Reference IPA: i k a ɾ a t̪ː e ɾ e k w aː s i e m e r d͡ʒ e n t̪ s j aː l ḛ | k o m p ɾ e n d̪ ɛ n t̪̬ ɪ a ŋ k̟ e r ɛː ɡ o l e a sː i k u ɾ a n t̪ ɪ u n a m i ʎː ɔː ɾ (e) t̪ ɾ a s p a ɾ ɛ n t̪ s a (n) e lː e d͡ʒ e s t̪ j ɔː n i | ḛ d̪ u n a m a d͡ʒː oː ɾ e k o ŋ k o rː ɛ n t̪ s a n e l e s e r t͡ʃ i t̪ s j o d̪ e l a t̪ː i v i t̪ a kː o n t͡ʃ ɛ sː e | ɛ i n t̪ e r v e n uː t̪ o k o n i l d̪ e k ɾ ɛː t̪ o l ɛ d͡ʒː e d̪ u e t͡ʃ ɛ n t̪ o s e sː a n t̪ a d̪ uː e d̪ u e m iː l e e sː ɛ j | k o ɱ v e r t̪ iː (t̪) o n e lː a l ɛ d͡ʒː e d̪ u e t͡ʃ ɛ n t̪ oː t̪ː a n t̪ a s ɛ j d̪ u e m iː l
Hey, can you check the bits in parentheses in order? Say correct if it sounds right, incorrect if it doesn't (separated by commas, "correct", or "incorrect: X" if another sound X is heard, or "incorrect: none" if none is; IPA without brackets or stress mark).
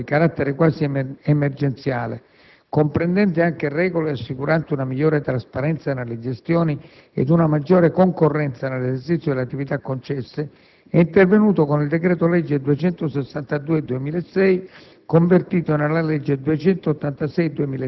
correct, correct, correct